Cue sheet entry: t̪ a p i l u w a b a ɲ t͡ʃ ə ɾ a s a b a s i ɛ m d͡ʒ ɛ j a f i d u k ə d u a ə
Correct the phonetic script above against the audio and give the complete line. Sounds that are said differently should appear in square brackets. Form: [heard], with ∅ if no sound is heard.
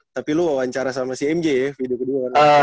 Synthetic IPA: t̪ a p i l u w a [w] a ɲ t͡ʃ [a] ɾ a s a [m] a s i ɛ m d͡ʒ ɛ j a f i d u k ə d u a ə